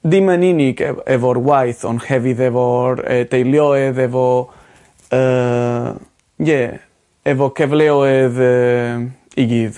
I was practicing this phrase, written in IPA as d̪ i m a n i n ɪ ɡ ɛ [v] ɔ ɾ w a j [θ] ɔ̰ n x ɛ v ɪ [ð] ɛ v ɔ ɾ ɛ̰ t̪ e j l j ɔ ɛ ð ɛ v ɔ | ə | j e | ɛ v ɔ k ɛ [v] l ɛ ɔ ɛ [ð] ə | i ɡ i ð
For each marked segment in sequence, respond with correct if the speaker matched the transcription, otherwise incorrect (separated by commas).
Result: correct, correct, correct, correct, correct